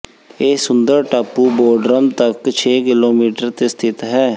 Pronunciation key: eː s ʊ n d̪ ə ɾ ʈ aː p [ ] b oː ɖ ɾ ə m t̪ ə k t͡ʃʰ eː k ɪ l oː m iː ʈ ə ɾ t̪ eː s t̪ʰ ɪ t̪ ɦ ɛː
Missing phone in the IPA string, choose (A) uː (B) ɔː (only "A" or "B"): A